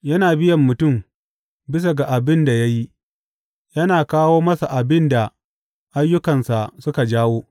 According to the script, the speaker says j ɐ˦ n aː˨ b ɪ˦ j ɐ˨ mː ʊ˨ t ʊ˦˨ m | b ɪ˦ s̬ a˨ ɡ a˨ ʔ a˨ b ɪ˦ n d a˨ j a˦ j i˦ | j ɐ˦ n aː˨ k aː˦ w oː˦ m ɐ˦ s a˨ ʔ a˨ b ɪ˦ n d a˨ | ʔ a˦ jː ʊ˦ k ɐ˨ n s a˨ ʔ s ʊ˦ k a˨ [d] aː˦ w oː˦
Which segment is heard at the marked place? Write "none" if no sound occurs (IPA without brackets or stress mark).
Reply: d͡ʒ